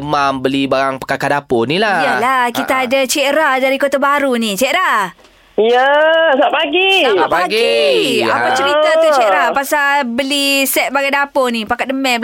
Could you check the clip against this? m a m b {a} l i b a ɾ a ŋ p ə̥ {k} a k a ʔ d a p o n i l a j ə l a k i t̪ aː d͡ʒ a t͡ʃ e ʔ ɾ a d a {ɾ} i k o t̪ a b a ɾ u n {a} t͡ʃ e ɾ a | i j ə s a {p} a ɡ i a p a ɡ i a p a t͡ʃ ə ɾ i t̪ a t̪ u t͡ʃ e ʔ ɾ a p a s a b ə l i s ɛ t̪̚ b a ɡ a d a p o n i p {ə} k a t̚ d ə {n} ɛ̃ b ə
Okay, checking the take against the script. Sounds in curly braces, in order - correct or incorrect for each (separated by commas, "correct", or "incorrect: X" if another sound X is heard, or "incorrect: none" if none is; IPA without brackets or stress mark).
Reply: incorrect: ə, correct, correct, incorrect: i, correct, incorrect: a, incorrect: m